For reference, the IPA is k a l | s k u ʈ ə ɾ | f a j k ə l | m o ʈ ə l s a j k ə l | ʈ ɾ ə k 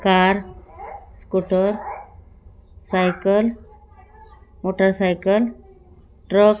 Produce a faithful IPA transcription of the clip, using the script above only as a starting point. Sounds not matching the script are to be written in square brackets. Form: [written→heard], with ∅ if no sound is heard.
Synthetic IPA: k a [l→ɾ] | s k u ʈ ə ɾ | [f→s] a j k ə l | m o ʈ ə [l→ɾ] s a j k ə l | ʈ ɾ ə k

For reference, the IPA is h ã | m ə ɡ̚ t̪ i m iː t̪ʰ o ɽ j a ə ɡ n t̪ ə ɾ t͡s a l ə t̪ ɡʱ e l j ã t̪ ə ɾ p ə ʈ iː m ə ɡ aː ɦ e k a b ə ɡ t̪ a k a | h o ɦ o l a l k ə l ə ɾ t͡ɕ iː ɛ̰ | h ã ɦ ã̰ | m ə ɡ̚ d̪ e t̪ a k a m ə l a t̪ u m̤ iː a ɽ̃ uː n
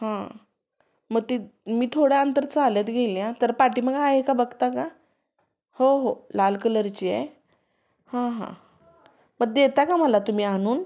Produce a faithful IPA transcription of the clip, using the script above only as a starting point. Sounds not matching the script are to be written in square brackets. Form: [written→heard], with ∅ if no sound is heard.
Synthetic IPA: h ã | m ə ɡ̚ t̪ i m iː t̪ʰ o ɽ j a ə [ɡ→∅] n t̪ ə ɾ t͡s a l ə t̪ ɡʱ e l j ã t̪ ə ɾ p [ə→a] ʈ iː m ə ɡ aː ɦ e k a b ə ɡ t̪ a k a | h o ɦ o l a l k ə l ə ɾ t͡ɕ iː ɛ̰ | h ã ɦ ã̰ | m ə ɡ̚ d̪ e t̪ a k a m ə l a t̪ u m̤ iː a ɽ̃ uː n

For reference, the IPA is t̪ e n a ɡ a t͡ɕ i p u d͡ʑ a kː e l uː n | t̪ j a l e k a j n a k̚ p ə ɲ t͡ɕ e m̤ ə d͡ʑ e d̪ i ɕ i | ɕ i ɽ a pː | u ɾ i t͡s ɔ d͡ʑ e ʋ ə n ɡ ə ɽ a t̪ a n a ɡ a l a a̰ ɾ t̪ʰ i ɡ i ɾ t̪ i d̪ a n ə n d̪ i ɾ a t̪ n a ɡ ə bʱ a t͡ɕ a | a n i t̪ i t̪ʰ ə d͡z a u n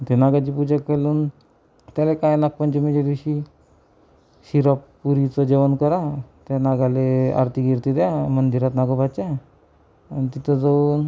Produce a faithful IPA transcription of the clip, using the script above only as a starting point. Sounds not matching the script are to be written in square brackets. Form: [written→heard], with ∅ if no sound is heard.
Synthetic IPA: t̪ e n a ɡ a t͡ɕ i p u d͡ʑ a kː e l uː n | t̪ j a l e k a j n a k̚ p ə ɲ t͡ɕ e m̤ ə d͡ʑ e d̪ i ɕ i | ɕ i [ɽ→ɾ] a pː | u ɾ i t͡s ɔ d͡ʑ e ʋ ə n [ɡ→k] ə [ɽ→ɾ] a t̪ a n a ɡ a l [a→e] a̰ ɾ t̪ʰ i ɡ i ɾ t̪ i d̪ a [n→m] ə n d̪ i ɾ a t̪ n a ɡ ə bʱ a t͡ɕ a | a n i t̪ i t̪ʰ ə d͡z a u n

